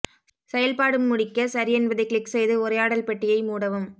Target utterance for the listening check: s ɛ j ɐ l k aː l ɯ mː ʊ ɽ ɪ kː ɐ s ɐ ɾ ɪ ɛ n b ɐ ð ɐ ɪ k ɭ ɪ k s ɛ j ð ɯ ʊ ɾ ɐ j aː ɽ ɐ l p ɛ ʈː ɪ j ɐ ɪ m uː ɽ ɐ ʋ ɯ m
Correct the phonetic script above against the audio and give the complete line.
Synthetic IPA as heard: s ɛ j ɐ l p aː ɽ ɯ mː ʊ ɽ ɪ kː ɐ s ɐ ɾ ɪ ɛ n b ɐ ð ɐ ɪ k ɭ ɪ k s ɛ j ð ɯ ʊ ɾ ɐ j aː ɽ ɐ l p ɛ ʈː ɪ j ɐ ɪ m uː ɽ ɐ ʋ ɯ m

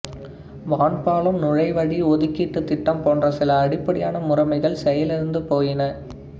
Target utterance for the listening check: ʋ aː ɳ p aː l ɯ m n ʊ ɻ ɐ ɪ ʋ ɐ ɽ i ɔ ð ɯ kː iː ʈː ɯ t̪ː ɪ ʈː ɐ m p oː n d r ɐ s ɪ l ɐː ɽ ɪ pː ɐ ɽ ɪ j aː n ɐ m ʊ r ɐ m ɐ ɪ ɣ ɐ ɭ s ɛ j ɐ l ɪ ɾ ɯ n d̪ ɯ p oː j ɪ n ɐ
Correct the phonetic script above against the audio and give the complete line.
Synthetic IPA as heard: ʋ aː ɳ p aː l ɯ m n ʊ ɻ ɐ ɪ ʋ ɐ ɽ i ɔ ð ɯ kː iː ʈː ɯ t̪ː ɪ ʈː ɐ m p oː n d r ɐ s ɪ l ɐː ɽ ɪ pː ɐ ɽ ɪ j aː n ɐ m ʊ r ɐ m ɐ ɪ ɣ ɐ ɭ s ɛ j ɐ l ɪ ɾ ɯ n d̪ ɯ p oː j ɪ n ɐ

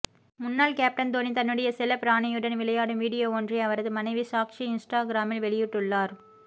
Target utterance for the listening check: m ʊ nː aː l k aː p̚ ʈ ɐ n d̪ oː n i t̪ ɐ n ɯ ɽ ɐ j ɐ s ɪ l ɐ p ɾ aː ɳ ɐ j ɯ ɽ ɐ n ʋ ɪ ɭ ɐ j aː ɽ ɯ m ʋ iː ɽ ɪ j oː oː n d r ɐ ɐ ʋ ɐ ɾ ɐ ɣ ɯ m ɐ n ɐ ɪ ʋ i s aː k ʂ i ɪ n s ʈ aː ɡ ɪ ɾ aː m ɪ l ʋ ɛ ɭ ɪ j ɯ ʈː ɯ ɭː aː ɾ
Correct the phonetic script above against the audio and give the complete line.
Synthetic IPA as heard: m ʊ nː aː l k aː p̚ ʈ ɐ n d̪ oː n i t̪ ɐ nː ɯ ɽ ɐ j ɐ s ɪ l ɐ p ɾ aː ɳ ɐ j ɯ ɽ ɐ n ʋ ɪ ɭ ɐ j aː ɽ ɯ m ʋ iː ɽ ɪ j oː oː n d r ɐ ɐ ʋ ɐ ɾ ɐ ð ɯ m ɐ n ɐ ɪ ʋ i s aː k ʂ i ɪ n s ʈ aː ɡ ɪ ɾ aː m ɪ l ʋ ɛ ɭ ɪ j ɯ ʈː ɯ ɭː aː ɾ

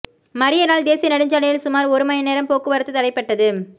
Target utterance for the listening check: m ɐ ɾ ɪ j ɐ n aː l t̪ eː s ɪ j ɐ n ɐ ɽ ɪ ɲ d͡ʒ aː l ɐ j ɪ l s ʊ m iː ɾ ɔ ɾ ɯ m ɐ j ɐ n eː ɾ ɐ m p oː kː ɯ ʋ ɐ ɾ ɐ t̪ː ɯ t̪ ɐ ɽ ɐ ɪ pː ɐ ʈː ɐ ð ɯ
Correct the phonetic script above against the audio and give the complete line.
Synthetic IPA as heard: m ɐ ɾ ɪ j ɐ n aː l d̪ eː s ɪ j ɐ n ɐ ɽ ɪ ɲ d͡ʒ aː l ɐ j ɪ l s ʊ m aː ɾ ɔ ɾ ɯ m ɐ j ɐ n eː ɾ ɐ m p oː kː ɯ ʋ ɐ ɾ ɐ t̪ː ɯ t̪ ɐ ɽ ɐ ɪ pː ɐ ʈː ɐ ð ɯ

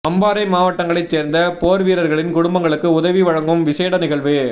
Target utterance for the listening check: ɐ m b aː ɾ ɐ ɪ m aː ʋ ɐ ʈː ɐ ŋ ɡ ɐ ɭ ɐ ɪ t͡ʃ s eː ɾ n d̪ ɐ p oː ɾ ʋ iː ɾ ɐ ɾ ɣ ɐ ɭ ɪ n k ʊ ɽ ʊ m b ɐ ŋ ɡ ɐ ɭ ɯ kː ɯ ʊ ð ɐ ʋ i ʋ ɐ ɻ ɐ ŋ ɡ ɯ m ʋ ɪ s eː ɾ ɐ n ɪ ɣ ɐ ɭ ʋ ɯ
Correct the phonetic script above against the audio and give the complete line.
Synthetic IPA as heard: ɐ m b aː ɾ ɐ ɪ m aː ʋ ɐ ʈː ɐ ŋ ɡ ɐ ɭ ɐ ɪ t͡ʃ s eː ɾ n d̪ ɐ p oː ɾ ʋ iː ɾ ɐ ɾ ɣ ɐ ɭ ɪ n k ʊ ɽ ʊ m b ɐ ŋ ɡ ɐ ɭ ɯ kː ɯ ʊ ð ɐ ʋ i ʋ ɐ ɻ ɐ ŋ ɡ ɯ m ʋ ɪ s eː ɽ ɐ n ɪ ɣ ɐ ɭ ʋ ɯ

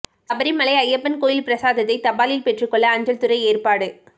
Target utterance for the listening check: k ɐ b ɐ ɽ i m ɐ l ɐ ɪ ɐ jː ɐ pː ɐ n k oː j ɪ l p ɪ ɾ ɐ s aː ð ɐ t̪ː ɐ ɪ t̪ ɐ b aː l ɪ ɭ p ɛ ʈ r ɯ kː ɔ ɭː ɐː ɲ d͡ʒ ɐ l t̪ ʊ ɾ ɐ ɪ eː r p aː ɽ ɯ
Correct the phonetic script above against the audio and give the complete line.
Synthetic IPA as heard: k ɐ b ɐ ɾ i m ɐ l ɐ ɪ ɐ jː ɐ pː ɐ n k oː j ɪ l p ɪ ɾ ɐ s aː ð ɐ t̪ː ɐ ɪ t̪ ɐ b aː l ɪ l p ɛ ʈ r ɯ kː ɔ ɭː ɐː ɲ d͡ʒ ɐ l t̪ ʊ ɾ ɐ ɪ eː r p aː ɽ ɯ

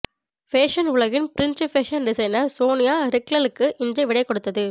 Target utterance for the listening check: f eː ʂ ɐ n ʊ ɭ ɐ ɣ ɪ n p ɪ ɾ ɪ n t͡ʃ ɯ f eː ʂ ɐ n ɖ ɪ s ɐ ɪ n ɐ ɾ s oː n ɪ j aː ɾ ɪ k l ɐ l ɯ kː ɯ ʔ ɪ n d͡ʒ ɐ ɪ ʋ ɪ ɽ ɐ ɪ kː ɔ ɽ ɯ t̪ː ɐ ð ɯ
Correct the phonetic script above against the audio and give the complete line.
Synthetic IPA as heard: f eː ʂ ɐ n ʊ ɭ ɐ ɣ ɪ n p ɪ ɾ ɪ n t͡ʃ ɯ f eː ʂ ɐ n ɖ ɪ s ɐ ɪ n ɐ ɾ s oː n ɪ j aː ɾ ɪ k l ɐ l ɯ kː ɯ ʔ ɪ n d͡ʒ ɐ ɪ ʋ ɪ ɽ ɐ ɪ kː ɔ ɽ ɯ t̪ː ɐ ð ɯ

